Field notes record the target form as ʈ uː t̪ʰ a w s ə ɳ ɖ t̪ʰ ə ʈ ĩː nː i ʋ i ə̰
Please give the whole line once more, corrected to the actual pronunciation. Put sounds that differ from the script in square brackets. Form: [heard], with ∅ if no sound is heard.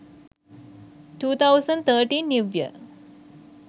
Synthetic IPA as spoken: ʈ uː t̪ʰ a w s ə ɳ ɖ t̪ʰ ə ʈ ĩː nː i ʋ [j] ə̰